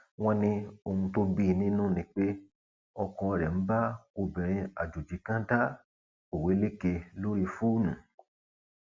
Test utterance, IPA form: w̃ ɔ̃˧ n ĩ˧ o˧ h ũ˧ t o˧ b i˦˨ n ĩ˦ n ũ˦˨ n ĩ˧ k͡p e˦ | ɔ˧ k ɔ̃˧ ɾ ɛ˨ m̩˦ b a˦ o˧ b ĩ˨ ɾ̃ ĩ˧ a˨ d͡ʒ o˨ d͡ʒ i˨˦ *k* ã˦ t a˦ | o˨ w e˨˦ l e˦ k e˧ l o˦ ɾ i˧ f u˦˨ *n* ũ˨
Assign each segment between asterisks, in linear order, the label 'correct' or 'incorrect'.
correct, correct

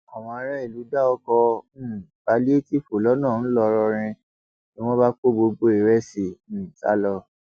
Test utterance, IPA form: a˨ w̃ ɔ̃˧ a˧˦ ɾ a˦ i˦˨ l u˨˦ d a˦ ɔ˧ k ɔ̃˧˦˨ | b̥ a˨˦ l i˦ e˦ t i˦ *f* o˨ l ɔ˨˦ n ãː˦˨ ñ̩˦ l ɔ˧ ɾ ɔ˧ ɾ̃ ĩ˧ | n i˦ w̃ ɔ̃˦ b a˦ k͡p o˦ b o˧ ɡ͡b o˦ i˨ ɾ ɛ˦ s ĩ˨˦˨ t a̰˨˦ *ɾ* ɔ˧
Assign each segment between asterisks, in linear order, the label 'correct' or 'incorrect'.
correct, incorrect

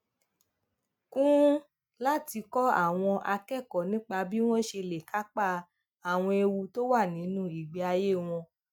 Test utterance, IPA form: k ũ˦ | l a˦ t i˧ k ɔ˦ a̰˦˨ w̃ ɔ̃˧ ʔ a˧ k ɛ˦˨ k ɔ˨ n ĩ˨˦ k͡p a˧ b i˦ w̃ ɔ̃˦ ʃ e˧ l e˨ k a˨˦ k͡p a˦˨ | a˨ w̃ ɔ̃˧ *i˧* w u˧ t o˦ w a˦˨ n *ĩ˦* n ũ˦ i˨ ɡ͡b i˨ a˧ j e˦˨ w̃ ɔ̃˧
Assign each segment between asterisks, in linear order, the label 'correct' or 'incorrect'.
incorrect, incorrect

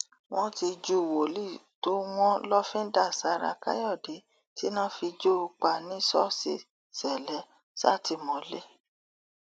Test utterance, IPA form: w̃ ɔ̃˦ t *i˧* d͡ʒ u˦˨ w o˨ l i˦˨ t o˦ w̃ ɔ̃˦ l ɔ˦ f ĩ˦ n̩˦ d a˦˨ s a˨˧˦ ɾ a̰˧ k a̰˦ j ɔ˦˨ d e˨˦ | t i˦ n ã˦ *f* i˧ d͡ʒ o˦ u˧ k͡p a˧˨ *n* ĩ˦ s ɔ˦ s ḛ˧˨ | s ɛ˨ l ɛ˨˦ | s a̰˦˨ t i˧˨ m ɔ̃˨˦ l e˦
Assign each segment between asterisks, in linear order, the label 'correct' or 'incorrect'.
correct, correct, correct

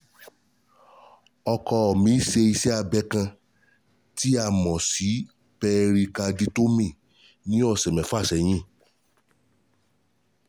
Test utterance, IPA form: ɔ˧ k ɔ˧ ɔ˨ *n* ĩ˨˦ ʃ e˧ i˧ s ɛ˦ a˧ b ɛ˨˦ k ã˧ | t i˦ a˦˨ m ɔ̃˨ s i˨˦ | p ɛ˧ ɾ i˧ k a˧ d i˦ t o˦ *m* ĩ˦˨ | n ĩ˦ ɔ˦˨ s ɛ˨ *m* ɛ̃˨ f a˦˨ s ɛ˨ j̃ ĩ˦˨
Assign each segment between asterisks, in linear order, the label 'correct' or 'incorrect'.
incorrect, correct, correct

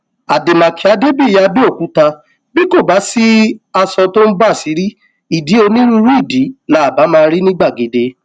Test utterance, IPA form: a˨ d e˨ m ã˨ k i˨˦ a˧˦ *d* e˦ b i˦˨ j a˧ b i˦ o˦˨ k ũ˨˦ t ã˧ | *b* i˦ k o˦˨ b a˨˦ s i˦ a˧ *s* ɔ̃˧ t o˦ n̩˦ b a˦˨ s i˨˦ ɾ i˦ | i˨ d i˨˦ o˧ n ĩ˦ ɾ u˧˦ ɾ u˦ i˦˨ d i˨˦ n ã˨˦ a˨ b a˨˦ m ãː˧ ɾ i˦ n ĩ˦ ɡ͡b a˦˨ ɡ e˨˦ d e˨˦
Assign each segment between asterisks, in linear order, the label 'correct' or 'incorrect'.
correct, correct, correct

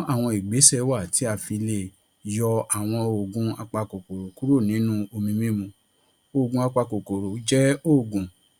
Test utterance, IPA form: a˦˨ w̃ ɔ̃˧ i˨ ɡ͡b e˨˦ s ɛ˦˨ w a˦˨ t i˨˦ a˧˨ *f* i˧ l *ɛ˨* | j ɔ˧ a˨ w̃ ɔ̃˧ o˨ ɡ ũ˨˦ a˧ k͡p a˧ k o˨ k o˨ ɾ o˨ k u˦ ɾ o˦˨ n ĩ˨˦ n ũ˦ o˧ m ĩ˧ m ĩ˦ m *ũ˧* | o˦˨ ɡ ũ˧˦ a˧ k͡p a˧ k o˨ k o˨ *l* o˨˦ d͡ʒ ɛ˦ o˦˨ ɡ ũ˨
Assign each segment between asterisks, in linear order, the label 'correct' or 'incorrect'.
correct, incorrect, correct, incorrect

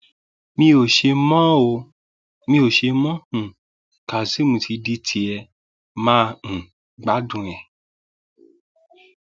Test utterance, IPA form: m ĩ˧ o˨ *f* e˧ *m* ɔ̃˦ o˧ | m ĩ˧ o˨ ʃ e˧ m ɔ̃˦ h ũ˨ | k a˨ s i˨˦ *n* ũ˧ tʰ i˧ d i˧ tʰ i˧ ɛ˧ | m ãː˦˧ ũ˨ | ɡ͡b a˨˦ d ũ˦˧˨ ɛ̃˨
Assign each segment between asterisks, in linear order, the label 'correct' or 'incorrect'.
incorrect, correct, incorrect

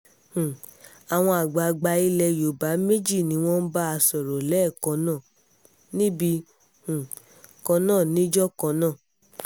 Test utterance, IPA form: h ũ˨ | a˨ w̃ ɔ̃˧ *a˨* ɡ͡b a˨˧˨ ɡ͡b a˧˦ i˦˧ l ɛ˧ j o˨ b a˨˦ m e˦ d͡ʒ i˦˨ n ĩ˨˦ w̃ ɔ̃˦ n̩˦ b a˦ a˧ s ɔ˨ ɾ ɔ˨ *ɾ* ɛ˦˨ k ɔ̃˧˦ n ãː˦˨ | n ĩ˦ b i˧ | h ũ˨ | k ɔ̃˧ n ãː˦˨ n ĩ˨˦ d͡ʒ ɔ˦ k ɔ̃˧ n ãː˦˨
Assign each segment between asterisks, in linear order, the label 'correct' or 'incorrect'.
correct, incorrect

